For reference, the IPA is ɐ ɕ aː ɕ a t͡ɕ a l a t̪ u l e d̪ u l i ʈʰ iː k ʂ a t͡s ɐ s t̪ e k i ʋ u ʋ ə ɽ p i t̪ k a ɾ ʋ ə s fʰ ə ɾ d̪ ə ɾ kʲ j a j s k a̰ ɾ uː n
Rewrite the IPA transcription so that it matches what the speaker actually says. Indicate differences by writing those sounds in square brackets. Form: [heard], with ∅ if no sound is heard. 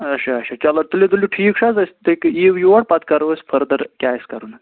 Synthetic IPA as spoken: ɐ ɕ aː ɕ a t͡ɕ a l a t̪ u l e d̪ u l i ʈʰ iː k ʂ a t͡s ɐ s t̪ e k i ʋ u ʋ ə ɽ p [a] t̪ k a ɾ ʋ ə s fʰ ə ɾ d̪ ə ɾ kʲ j a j s k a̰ ɾ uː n